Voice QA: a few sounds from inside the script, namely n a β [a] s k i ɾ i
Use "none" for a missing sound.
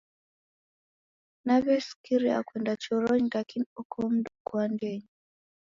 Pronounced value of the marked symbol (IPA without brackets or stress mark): ɛ